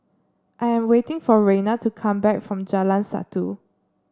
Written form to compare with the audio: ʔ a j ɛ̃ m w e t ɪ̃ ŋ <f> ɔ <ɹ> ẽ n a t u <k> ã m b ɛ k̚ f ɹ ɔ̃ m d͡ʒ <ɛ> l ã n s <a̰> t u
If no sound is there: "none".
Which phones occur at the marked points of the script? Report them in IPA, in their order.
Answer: f, ɹ, kʰ, a, a̰

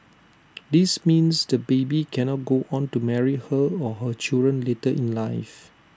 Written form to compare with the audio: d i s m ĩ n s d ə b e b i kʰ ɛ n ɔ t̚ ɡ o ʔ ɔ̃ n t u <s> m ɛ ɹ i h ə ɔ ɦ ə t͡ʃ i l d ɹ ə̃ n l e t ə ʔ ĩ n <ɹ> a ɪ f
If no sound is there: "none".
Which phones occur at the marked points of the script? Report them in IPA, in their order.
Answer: none, l

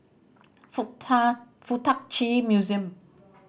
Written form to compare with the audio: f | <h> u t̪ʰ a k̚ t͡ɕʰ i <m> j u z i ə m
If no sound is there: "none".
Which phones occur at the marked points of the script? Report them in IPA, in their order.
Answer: f, m

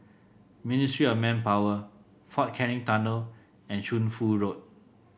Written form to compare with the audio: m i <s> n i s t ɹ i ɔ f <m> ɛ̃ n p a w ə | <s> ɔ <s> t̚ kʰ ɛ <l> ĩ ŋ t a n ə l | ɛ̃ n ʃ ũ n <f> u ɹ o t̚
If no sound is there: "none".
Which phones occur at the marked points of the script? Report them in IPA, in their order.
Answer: none, m, f, none, ɹ, f

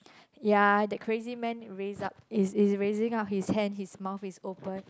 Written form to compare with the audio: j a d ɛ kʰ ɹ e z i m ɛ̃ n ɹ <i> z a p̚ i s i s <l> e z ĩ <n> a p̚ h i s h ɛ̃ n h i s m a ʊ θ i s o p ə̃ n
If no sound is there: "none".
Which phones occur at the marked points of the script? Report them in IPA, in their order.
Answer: e, ɹ, ŋ

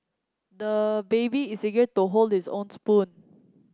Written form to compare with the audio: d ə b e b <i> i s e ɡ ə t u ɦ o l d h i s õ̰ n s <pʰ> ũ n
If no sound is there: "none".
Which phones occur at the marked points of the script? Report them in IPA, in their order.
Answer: i, p

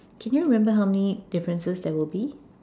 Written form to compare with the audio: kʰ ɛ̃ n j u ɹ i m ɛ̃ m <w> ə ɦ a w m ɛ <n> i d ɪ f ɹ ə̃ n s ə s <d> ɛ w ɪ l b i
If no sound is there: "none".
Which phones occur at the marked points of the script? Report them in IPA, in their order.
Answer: b, n, d

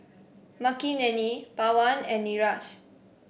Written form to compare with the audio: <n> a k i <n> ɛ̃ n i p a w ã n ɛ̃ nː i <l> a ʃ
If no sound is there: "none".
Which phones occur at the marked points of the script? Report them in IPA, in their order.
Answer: m, n, ɹ

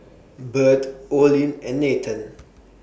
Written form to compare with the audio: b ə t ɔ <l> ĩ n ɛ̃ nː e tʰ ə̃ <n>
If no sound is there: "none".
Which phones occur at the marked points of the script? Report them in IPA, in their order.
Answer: l, n

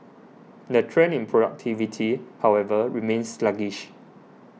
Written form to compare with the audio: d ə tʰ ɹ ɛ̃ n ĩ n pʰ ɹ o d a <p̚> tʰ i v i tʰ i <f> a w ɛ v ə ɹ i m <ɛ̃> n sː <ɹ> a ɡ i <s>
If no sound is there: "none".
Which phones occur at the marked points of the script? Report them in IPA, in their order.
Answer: k̚, h, ẽ, l, ʃ

